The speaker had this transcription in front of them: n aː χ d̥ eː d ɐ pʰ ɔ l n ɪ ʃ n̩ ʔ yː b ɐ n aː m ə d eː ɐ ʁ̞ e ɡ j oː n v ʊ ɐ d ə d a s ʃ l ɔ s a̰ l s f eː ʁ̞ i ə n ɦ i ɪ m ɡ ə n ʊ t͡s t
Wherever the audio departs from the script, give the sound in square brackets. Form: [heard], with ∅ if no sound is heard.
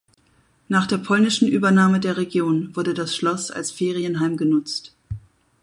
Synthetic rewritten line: n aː χ d̥ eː [∅] ɐ pʰ ɔ l n ɪ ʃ n̩ ʔ yː b ɐ n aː m ə d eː ɐ ʁ̞ e ɡ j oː n v ʊ ɐ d ə d a s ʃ l ɔ s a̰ l s f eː ʁ̞ i ə n ɦ [a] ɪ m ɡ ə n ʊ t͡s t